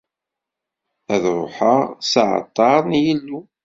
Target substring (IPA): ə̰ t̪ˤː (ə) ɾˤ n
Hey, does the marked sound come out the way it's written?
no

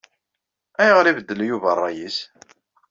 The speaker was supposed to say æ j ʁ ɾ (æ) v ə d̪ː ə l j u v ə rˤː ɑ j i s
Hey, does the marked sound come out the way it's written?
no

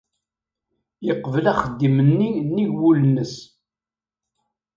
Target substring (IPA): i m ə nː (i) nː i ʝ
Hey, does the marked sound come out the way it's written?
yes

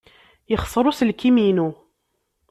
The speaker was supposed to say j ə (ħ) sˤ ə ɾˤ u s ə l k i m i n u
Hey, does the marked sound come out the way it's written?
no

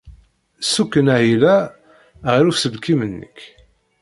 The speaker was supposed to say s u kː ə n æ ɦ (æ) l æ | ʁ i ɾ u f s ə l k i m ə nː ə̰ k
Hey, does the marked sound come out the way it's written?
no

